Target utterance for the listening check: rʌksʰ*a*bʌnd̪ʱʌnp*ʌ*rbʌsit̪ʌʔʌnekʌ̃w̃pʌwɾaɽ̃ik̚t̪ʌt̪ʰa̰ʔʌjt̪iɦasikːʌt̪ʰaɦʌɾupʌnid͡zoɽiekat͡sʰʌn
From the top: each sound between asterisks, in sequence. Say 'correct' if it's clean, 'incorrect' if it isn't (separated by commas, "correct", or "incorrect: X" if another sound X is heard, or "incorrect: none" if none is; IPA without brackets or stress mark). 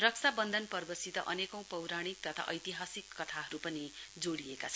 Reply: correct, correct